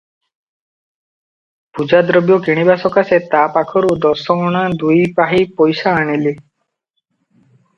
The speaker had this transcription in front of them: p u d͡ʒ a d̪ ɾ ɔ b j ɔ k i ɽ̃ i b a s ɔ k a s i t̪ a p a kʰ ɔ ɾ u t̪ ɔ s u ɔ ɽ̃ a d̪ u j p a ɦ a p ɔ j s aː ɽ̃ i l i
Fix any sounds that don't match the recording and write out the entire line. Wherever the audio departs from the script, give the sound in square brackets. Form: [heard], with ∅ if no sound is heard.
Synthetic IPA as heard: p u d͡ʒ a d̪ ɾ ɔ b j ɔ k i ɽ̃ i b a s ɔ k a s [e] t̪ a p a kʰ ɔ ɾ u [d̪] ɔ s [ɔ] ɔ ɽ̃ a d̪ u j p a ɦ [i] p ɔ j s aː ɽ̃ i l i